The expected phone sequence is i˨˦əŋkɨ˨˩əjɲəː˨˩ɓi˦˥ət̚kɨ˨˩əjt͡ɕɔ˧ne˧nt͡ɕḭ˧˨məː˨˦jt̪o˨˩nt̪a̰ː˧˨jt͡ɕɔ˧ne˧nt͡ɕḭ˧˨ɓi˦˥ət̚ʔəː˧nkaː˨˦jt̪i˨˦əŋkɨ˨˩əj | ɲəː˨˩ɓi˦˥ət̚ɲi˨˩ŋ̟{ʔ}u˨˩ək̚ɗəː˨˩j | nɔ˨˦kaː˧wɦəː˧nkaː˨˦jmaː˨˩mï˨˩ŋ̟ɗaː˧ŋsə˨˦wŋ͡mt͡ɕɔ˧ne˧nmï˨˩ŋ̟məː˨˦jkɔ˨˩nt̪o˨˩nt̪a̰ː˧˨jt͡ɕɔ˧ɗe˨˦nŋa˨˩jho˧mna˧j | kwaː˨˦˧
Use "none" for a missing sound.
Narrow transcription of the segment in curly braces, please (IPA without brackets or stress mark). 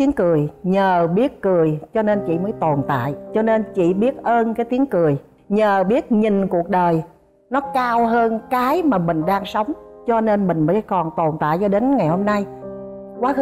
k